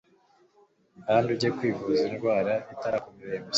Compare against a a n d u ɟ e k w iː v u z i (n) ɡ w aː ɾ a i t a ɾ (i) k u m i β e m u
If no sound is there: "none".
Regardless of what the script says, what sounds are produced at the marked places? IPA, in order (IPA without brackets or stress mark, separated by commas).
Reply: n, a